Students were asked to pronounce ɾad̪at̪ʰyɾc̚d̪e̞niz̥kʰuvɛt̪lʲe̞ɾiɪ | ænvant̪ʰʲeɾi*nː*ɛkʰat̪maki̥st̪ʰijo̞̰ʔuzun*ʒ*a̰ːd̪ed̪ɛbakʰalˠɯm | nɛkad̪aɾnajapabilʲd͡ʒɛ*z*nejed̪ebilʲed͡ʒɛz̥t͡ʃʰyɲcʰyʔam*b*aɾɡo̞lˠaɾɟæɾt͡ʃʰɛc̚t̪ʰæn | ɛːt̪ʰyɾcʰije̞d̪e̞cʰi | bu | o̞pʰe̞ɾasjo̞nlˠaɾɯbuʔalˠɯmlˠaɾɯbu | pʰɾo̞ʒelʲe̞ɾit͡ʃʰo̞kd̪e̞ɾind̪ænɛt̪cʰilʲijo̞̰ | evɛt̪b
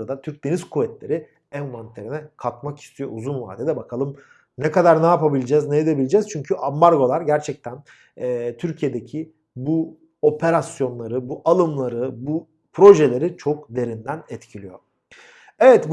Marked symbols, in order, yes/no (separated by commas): no, no, yes, yes